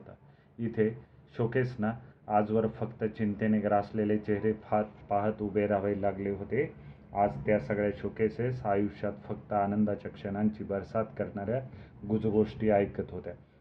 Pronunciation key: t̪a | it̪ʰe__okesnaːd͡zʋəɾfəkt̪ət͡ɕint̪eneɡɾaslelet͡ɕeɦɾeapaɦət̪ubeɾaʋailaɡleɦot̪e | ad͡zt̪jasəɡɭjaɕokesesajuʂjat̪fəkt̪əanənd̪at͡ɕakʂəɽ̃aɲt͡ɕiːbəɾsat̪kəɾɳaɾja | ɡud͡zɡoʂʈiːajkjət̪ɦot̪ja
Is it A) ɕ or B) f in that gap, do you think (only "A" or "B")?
A